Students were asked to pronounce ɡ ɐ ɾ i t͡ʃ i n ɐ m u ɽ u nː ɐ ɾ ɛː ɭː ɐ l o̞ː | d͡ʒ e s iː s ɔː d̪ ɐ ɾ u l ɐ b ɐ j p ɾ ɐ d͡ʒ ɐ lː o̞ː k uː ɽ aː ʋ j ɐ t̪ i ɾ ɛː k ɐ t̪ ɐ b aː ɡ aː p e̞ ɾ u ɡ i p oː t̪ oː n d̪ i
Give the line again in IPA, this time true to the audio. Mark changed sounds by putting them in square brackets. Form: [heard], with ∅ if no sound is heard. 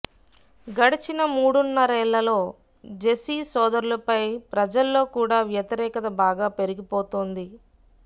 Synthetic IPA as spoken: ɡ ɐ [ɽ] i t͡ʃ i n ɐ m [uː] ɽ u nː ɐ ɾ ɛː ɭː ɐ l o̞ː | d͡ʒ e s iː s ɔː d̪ ɐ ɾ u l ɐ [p] ɐ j p ɾ ɐ d͡ʒ ɐ lː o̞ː k uː ɽ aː ʋ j ɐ t̪ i ɾ ɛː k ɐ t̪ ɐ b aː ɡ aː p e̞ ɾ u ɡ i p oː t̪ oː n d̪ i

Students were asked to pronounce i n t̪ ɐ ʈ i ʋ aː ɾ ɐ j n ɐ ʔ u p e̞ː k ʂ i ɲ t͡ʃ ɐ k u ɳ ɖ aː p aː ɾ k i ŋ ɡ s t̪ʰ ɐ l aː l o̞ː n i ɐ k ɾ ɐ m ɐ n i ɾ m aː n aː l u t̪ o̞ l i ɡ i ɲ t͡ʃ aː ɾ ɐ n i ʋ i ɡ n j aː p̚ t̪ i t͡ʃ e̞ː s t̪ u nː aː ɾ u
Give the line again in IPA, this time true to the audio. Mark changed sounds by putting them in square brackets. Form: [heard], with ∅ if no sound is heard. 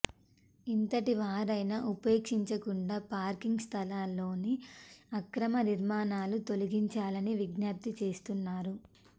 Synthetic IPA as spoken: i n t̪ ɐ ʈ i ʋ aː ɾ ɐ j n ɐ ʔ u p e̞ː k ʂ i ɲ t͡ʃ ɐ k u ɳ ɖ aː p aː ɾ k i ŋ ɡ s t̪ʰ ɐ l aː l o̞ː n i ɐ k ɾ ɐ m ɐ n i ɾ m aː n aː l u t̪ o̞ l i ɡ i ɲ t͡ʃ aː [l] ɐ n i ʋ i ɡ n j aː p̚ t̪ i t͡ʃ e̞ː s t̪ u nː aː ɾ u

